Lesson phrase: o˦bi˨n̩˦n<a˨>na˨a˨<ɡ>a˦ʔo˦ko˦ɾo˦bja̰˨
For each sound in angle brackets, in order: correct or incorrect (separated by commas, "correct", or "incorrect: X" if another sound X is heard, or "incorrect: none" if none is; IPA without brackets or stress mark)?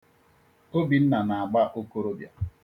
correct, incorrect: ɡ͡b